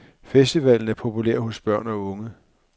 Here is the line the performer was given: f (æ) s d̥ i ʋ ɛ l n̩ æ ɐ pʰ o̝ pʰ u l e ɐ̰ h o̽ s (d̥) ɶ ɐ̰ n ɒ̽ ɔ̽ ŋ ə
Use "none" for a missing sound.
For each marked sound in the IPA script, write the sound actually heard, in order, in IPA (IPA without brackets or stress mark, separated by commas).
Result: e, b̥